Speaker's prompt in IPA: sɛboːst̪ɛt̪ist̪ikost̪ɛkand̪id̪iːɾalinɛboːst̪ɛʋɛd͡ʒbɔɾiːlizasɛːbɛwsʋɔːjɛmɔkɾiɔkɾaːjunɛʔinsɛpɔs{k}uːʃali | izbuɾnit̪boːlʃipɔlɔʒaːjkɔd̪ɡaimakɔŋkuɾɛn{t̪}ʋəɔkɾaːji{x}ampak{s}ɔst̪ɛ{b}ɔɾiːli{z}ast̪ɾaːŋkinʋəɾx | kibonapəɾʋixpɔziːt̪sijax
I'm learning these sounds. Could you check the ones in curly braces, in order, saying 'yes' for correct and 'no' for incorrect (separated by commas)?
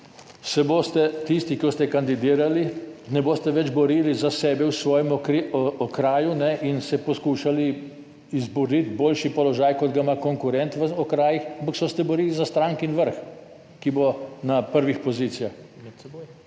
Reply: yes, yes, yes, yes, yes, yes